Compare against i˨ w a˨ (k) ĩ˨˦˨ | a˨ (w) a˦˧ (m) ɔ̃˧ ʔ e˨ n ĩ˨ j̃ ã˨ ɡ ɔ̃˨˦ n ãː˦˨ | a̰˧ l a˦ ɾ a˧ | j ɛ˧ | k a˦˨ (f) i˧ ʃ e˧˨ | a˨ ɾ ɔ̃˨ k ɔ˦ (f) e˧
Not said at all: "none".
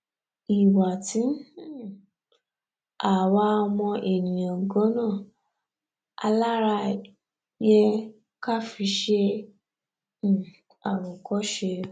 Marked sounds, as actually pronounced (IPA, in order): t, w, m, f, ʃ

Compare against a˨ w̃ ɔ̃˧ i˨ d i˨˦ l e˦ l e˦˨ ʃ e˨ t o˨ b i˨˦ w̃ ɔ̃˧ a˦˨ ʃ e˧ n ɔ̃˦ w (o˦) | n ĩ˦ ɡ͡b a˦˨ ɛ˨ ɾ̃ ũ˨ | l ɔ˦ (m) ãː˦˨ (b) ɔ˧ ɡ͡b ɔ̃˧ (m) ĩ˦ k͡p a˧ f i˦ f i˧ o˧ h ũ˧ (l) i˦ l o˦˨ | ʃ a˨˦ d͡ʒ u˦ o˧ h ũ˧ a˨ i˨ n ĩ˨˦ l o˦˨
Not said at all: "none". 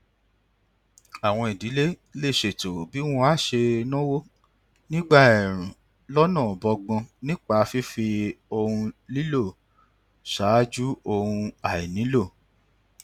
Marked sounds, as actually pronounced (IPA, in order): o˦, n, b, n, l

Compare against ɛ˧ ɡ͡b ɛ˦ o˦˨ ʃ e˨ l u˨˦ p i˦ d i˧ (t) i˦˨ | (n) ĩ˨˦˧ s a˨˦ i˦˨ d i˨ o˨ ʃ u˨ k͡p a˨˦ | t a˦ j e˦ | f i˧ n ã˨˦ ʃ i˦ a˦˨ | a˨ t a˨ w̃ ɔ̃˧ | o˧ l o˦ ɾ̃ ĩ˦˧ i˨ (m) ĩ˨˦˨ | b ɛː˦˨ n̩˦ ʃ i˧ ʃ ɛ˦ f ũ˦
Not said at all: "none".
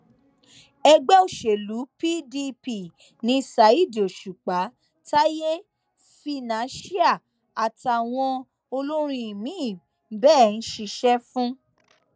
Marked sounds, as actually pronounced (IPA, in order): p, n, m

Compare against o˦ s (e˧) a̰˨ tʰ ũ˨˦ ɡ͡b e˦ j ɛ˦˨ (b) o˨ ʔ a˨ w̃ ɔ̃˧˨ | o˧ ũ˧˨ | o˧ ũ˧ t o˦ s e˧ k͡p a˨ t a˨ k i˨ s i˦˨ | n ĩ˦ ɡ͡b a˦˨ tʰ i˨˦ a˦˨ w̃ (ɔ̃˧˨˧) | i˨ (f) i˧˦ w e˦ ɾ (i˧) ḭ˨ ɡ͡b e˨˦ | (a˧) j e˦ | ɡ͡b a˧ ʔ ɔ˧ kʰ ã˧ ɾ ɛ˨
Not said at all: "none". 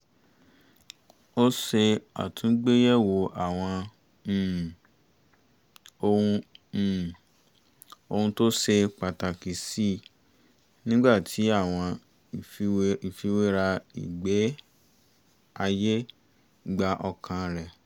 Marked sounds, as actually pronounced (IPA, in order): e˧, w, ɔ̃˧˨˧, f, a˧, a˧

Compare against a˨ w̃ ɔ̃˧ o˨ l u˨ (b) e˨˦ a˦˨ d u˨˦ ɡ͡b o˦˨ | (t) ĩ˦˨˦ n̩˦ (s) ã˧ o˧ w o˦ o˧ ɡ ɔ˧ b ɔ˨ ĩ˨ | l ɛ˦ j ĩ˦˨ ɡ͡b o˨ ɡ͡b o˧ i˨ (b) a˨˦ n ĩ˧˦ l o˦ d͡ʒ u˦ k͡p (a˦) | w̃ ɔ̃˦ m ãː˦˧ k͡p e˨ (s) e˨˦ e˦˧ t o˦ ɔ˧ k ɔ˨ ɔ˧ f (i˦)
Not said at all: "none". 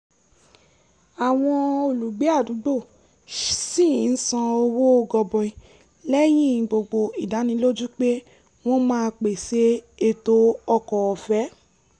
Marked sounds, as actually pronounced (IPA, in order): ɡ͡b, s, s, d, e˦, s, ɛ˦

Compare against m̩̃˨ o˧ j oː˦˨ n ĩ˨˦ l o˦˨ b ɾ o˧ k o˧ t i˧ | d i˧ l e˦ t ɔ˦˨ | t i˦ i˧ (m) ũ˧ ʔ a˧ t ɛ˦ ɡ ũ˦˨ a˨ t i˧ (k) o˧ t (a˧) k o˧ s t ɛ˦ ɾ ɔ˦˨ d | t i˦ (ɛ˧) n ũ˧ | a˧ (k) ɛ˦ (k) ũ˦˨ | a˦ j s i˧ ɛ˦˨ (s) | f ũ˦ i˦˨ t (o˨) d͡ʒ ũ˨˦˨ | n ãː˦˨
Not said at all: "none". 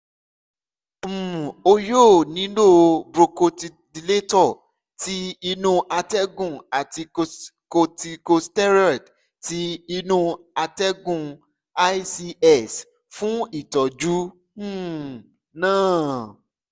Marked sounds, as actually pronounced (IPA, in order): n, k, i˧, i˧, t, ɡ, s, ɔ˨

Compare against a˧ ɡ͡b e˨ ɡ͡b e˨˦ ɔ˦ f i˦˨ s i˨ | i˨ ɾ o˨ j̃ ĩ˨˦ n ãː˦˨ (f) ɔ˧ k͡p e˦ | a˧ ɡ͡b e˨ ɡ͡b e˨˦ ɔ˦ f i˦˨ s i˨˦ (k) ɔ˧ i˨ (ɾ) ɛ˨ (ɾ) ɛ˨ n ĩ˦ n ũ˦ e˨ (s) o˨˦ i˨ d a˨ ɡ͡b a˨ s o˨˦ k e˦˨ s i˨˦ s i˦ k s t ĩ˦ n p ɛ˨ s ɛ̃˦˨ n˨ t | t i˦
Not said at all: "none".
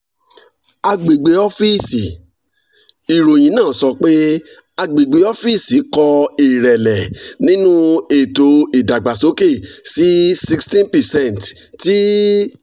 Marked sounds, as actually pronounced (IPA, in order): s, k, ɾ, l, t

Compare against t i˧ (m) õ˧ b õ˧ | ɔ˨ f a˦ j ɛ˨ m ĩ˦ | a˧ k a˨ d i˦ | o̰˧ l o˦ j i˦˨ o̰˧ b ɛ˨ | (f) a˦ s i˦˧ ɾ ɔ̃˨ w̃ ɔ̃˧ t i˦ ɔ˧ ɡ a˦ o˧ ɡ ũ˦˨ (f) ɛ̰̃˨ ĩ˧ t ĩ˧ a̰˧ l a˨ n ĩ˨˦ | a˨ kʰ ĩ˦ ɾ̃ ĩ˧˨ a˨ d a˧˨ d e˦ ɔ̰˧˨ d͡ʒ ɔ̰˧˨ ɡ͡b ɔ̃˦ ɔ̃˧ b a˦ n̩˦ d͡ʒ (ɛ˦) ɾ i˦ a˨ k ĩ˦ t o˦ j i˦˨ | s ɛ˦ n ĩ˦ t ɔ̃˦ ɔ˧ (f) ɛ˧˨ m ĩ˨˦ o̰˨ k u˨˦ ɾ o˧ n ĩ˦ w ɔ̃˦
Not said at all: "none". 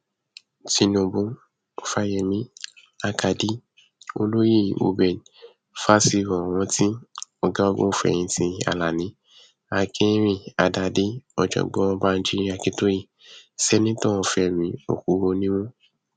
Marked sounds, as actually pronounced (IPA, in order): n, f, f, i˦, f

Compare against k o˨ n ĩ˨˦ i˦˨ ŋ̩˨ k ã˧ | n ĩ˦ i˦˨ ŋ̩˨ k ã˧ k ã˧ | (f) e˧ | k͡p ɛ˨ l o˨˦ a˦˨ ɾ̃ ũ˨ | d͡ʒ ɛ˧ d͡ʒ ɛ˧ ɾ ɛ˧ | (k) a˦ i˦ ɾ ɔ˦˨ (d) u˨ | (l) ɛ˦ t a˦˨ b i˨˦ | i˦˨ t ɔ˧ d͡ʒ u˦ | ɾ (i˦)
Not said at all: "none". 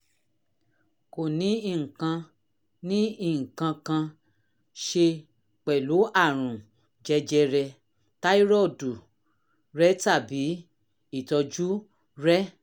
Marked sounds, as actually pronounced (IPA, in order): ʃ, t, d, ɾ, ɛ˦

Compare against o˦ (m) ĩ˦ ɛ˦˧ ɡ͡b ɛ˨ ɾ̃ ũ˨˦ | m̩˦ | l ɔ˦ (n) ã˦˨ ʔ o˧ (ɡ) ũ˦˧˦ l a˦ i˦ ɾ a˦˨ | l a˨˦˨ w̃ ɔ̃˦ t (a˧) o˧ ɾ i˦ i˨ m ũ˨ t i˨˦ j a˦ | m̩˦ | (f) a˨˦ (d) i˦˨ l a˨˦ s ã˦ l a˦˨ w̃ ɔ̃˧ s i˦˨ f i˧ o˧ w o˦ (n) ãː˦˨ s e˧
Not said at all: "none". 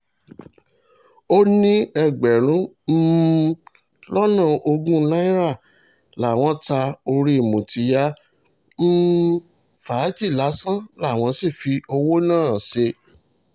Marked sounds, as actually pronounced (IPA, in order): n, n, ɡ, a˧, f, d͡ʒ, n

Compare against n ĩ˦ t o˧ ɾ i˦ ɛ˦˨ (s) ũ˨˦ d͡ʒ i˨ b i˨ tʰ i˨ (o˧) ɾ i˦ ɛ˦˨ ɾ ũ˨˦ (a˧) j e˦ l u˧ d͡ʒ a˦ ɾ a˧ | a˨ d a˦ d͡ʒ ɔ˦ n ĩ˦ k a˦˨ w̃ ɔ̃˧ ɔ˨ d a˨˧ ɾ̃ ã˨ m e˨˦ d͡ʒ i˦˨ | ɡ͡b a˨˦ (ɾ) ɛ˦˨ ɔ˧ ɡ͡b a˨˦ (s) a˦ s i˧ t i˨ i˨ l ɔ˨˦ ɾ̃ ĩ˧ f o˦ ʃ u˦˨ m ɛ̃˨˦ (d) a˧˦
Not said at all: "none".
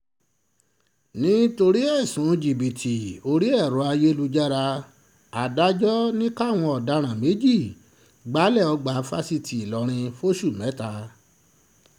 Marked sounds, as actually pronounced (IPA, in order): s, o˧, a˧, l, f, t

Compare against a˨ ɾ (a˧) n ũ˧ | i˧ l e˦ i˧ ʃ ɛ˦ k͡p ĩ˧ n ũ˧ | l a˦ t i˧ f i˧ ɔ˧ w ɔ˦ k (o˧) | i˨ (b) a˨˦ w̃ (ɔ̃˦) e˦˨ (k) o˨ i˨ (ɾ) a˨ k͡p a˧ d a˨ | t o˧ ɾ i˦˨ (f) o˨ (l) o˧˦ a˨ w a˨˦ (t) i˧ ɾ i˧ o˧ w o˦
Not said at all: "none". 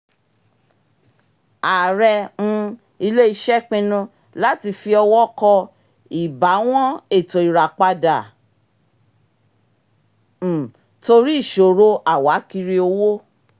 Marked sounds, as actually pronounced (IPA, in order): ɛ˧, ɔ˧, b, ɔ̃˦, t, ɾ, ʃ, ɾ, k

